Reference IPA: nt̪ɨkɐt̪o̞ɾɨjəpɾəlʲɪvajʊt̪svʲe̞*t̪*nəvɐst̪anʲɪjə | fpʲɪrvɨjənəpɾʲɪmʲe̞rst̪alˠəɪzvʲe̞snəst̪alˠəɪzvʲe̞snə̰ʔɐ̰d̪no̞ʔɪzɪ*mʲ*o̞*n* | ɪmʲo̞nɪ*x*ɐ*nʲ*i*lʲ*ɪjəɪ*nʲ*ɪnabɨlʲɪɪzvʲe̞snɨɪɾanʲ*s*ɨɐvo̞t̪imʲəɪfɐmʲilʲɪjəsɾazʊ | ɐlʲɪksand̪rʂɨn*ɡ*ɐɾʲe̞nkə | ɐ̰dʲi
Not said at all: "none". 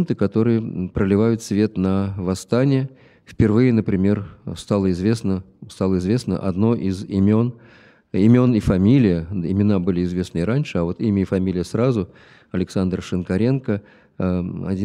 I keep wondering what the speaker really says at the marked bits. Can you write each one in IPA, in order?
t̪, mʲ, n, f, mʲ, lʲ, mʲ, ʂ, k

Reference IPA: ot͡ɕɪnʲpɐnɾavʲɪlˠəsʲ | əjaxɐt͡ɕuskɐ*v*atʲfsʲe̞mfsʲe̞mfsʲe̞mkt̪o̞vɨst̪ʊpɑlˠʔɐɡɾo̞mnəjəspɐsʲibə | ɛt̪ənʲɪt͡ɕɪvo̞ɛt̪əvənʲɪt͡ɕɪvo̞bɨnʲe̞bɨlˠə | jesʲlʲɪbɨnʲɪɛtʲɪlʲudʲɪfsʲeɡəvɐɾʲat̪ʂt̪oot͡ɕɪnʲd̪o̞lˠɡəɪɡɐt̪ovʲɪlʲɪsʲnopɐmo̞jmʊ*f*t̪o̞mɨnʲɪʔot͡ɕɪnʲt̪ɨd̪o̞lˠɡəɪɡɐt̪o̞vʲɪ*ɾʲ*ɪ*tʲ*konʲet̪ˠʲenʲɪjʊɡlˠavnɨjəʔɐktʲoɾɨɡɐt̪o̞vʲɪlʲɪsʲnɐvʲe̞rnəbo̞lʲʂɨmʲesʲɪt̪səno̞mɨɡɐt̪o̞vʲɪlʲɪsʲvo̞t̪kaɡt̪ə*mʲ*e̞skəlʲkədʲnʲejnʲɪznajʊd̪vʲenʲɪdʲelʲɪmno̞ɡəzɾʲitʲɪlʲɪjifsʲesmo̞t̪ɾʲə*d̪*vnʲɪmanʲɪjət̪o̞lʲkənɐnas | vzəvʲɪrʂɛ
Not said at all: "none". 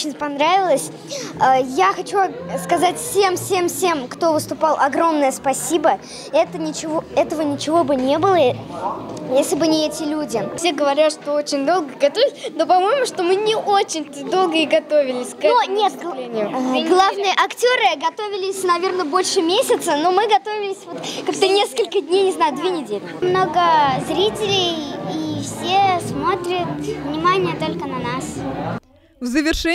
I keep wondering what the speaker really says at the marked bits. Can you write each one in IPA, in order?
z, ʂ, lʲ, sʲ, nʲ, t̪

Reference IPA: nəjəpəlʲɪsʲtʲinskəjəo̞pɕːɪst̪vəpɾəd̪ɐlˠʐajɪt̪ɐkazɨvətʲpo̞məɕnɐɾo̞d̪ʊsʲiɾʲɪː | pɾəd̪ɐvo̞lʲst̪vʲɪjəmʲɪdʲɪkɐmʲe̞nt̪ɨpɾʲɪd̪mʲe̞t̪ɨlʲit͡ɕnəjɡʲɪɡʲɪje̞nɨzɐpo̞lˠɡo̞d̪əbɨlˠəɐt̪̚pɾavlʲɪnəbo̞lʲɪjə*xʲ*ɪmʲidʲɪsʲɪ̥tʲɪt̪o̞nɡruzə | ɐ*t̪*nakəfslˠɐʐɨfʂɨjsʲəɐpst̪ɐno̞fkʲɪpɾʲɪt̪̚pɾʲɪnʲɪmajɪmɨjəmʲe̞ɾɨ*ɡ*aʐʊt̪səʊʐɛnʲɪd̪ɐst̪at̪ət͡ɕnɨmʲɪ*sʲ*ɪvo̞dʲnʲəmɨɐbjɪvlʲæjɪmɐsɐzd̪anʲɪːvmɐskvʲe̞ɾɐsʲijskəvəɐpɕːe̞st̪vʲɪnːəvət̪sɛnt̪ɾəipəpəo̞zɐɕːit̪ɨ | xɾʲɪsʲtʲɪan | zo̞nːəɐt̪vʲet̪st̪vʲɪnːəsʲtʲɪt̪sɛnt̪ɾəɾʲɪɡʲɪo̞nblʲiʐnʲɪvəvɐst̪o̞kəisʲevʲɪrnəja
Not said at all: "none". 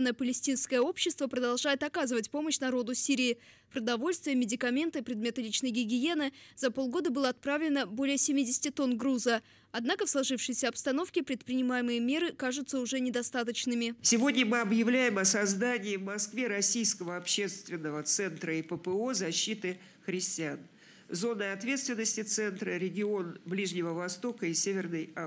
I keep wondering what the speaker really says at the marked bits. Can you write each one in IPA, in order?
sʲ, d̪, k, sʲ

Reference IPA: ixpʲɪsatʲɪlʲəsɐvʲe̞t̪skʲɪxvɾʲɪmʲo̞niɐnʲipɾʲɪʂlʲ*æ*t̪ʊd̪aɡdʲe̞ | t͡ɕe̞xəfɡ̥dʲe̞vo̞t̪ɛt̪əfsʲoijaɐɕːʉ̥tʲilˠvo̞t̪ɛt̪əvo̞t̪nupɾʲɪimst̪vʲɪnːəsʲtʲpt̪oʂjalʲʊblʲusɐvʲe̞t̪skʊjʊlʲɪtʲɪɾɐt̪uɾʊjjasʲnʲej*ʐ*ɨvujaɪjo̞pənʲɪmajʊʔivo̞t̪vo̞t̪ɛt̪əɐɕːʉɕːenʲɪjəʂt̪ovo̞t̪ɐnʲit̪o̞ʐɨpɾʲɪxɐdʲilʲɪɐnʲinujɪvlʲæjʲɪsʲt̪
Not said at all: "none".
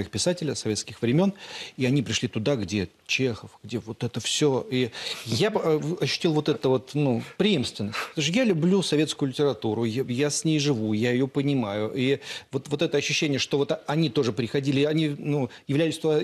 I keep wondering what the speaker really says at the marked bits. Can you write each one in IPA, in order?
i, ʐ

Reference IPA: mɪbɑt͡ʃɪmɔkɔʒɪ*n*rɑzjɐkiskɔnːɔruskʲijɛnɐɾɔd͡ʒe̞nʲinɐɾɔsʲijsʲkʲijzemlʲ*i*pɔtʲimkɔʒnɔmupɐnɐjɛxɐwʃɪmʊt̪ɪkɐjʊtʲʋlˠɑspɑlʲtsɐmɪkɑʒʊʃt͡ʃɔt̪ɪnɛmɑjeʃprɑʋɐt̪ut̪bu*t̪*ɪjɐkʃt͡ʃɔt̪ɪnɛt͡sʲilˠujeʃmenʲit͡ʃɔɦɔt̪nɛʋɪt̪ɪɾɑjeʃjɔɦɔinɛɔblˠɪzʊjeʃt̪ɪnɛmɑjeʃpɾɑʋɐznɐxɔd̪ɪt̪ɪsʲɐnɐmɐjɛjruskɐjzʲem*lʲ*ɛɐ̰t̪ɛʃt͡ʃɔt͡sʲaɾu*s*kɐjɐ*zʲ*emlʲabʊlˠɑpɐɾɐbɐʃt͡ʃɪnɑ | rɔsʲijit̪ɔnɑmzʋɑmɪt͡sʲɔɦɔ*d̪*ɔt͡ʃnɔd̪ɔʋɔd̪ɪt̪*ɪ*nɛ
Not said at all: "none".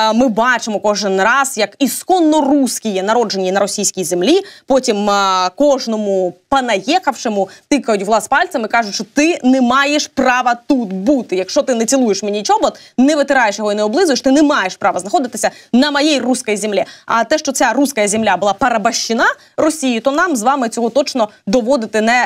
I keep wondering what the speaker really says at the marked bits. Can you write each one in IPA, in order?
n, i, t̪, lʲ, s, zʲ, t̪, ɪ

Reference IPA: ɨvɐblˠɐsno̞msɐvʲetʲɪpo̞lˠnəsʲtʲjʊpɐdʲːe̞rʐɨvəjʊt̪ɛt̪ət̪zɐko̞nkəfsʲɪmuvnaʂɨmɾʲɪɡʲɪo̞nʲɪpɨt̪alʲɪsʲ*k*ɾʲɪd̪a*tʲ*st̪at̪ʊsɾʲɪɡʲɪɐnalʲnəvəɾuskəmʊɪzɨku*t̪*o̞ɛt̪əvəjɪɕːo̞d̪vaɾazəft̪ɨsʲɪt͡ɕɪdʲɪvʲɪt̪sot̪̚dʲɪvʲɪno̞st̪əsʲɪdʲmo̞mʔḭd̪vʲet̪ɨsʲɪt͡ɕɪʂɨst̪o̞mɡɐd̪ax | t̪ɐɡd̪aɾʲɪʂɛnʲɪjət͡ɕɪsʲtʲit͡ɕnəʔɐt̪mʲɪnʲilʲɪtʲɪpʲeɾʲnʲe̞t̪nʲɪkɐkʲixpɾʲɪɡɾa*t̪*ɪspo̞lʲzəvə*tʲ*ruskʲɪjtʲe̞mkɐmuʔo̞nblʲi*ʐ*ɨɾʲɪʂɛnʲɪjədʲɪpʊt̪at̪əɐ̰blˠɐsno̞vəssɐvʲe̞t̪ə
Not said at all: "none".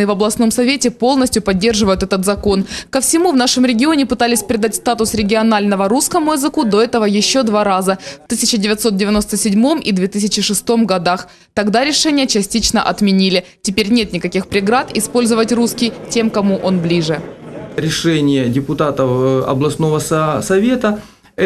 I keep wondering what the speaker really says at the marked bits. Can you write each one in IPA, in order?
p, tʲ, d̪, t̪, tʲ, ʐ

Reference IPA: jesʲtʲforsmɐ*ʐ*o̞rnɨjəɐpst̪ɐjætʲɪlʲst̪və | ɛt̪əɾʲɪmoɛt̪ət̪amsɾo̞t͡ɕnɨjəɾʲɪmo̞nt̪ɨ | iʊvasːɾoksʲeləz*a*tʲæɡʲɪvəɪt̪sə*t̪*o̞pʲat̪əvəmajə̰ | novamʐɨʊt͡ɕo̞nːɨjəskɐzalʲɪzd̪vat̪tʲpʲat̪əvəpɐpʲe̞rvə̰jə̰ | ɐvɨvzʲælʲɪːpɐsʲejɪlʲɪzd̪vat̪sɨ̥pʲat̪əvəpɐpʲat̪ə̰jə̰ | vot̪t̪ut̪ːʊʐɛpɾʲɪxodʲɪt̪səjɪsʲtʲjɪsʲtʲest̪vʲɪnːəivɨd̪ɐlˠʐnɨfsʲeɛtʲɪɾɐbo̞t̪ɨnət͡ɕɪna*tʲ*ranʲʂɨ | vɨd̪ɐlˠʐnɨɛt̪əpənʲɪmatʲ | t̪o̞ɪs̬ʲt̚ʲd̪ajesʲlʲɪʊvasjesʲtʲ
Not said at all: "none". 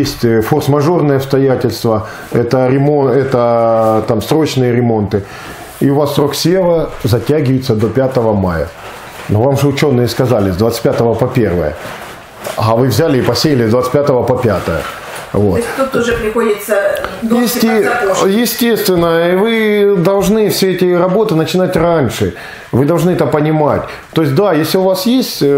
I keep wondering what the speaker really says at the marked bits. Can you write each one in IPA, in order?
ʐ, ɐ, d̪, tʲ

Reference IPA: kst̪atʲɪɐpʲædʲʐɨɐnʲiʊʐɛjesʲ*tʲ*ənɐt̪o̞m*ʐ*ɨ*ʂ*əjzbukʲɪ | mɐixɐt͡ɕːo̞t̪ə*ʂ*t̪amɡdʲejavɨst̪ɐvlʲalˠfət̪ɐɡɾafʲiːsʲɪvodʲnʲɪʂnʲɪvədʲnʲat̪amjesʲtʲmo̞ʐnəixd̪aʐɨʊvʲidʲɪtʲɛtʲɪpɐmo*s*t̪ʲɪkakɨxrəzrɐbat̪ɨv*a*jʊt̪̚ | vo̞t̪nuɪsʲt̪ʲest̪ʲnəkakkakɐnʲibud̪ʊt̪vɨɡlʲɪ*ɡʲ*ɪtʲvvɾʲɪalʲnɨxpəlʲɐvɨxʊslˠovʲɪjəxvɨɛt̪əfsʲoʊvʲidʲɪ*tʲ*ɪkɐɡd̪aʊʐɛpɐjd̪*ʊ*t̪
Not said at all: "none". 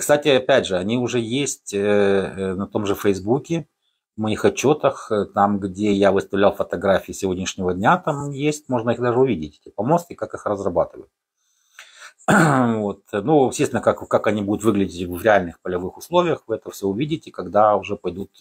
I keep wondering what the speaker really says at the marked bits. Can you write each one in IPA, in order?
tʲ, ʐ, f, x, s, ə, dʲ, tʲ, u

